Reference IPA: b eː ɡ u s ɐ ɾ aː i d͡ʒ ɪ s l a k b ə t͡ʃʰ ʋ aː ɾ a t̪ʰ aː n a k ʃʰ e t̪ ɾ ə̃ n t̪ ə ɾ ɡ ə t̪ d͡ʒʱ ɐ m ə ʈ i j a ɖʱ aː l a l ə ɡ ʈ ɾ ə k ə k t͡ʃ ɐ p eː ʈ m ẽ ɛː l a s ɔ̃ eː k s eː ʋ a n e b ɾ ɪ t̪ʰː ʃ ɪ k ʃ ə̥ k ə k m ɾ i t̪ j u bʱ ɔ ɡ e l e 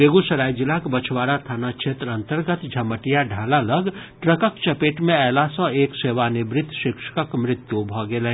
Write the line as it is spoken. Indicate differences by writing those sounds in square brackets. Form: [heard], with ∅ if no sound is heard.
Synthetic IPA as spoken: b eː ɡ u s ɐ ɾ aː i d͡ʒ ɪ [∅] l a k b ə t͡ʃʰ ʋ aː ɾ a t̪ʰ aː n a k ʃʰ e t̪ ɾ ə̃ n t̪ ə ɾ ɡ ə t̪ d͡ʒʱ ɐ m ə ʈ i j a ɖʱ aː l a l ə ɡ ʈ ɾ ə k ə k t͡ʃ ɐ p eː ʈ m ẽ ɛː l a s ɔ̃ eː k s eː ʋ a n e b ɾ ɪ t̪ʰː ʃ ɪ k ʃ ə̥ k ə k m ɾ [ɪ] t̪ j u bʱ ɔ ɡ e l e